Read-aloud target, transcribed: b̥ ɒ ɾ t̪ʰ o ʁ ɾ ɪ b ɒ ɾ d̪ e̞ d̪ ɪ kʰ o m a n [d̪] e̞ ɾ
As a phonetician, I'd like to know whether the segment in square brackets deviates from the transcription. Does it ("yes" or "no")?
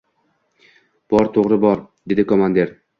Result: no